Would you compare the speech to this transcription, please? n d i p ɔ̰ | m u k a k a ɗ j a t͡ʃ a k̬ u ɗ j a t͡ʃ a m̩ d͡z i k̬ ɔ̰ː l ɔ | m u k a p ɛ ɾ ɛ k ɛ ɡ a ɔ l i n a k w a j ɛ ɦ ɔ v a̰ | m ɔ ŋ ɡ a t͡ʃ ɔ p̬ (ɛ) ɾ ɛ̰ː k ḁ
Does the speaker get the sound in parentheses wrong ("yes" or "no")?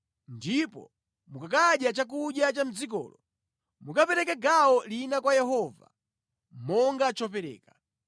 no